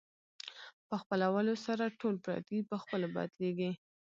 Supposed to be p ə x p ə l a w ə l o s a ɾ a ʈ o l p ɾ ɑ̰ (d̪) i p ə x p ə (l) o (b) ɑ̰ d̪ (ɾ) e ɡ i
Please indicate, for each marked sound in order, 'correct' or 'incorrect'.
incorrect, correct, correct, incorrect

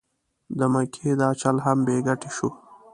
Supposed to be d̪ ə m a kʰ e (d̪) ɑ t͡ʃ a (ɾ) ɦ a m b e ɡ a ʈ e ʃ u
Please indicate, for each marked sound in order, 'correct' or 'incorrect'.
correct, incorrect

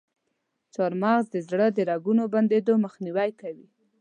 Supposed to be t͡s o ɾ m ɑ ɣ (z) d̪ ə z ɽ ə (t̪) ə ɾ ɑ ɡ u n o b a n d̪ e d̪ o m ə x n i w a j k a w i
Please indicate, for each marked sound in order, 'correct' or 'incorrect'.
correct, incorrect

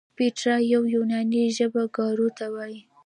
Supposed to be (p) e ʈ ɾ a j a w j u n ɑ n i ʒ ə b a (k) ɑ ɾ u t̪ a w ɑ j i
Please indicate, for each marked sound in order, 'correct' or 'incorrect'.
correct, incorrect

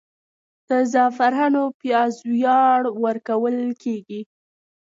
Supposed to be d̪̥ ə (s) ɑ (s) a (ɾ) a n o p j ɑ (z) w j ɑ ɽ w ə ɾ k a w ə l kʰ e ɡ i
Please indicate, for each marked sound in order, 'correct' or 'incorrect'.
incorrect, incorrect, correct, correct

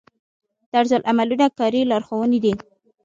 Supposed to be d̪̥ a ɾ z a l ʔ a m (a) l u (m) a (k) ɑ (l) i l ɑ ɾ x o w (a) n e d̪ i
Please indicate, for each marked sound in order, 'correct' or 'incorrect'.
correct, incorrect, correct, incorrect, incorrect

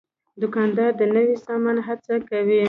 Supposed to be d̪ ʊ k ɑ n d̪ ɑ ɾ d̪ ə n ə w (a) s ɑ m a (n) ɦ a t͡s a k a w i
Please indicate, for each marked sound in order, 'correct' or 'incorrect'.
incorrect, correct

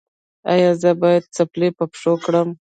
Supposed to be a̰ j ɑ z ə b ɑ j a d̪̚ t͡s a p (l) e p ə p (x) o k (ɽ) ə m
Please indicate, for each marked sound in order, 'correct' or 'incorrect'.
correct, incorrect, correct

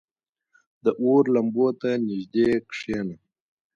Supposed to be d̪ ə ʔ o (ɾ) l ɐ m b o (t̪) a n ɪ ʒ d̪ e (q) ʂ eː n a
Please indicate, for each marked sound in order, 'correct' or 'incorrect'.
correct, correct, incorrect

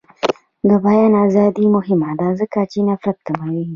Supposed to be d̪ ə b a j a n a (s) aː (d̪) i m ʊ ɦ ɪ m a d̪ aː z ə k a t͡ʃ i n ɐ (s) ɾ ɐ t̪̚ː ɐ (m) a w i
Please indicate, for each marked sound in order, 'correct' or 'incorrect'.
incorrect, correct, incorrect, correct

